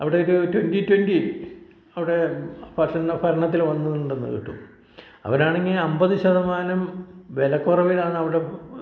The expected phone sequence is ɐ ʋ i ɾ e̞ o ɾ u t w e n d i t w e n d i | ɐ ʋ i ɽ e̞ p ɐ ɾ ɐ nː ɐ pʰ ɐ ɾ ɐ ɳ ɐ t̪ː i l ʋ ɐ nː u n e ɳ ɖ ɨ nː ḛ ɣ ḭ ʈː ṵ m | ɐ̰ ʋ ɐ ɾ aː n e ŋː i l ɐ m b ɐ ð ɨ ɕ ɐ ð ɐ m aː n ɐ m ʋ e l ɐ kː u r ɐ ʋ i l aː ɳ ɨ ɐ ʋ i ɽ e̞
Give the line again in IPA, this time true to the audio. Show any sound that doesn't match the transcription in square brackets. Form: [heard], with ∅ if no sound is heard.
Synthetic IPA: ɐ ʋ i [ɽ] e̞ o ɾ u t w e n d i t w e n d i | ɐ ʋ i ɽ e̞ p ɐ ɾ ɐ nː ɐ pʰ ɐ ɾ ɐ ɳ ɐ t̪ː i l ʋ ɐ nː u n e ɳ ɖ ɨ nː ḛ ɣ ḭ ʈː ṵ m | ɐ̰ ʋ ɐ ɾ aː [ɳ] e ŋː i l ɐ m b ɐ ð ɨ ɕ ɐ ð ɐ m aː n ɐ m ʋ e l ɐ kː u r ɐ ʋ i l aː ɳ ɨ ɐ ʋ i ɽ e̞

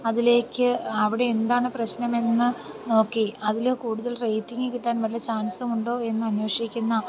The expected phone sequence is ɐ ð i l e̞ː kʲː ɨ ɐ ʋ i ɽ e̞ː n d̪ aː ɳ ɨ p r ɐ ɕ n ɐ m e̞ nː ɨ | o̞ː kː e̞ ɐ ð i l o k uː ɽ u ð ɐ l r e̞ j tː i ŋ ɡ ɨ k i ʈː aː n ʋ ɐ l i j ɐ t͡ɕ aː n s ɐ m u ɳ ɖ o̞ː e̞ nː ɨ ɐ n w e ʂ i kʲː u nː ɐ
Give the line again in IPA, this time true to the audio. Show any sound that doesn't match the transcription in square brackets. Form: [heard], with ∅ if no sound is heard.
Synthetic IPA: ɐ ð i l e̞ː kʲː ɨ ɐ ʋ i ɽ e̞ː n d̪ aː ɳ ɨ p r ɐ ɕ n ɐ m e̞ nː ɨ | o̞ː kː e̞ ɐ ð i l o k uː ɽ u ð ɐ l r e̞ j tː i ŋ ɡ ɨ k i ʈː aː n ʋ ɐ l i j ɐ t͡ɕ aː n s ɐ m u ɳ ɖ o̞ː e̞ nː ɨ ɐ n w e ʂ i kʲː u nː ɐ

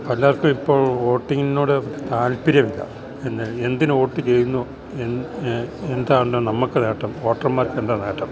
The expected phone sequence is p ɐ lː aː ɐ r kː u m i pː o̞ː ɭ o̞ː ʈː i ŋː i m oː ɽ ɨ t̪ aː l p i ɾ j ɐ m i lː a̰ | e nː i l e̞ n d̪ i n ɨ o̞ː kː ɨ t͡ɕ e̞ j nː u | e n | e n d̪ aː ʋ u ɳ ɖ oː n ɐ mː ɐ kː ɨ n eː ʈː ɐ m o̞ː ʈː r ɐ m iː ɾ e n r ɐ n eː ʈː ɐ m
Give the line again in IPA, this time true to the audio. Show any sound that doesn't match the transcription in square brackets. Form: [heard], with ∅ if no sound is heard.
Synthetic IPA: p ɐ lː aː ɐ r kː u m i pː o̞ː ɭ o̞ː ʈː i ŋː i [n] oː ɽ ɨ t̪ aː l p i ɾ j ɐ m i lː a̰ | e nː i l e̞ n d̪ i n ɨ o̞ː [ʈː] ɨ t͡ɕ e̞ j nː u | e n | e n d̪ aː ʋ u ɳ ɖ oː n ɐ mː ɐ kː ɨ n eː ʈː ɐ m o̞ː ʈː r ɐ m [aː] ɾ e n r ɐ n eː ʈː ɐ m

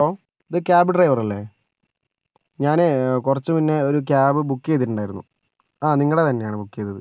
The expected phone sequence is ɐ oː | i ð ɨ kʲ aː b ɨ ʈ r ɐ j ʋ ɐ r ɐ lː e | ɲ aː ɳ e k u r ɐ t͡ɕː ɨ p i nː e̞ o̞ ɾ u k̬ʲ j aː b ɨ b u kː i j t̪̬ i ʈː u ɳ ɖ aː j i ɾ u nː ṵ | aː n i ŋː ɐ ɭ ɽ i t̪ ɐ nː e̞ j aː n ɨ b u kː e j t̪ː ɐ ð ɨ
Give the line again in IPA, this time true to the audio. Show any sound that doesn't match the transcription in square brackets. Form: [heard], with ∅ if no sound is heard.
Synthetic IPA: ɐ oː | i ð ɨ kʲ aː b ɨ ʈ r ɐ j ʋ ɐ r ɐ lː e | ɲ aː [n] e k u r ɐ t͡ɕː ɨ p i nː e̞ o̞ ɾ u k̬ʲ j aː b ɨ b u kː [e] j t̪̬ i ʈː u ɳ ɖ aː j i ɾ u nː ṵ | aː n i ŋː ɐ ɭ ɽ [e] t̪ ɐ nː e̞ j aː [ɳ] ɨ b u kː e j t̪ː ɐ ð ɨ

